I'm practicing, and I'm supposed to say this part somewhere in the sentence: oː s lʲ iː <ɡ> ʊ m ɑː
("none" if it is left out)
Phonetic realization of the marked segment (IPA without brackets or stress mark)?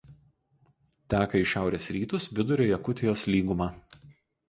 ɡ